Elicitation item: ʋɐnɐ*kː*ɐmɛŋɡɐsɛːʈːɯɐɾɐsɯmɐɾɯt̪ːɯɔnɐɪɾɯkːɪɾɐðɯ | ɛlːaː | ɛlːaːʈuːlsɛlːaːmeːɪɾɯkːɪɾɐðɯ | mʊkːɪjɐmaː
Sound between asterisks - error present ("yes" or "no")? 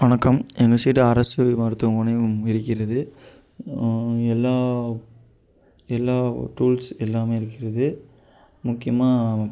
no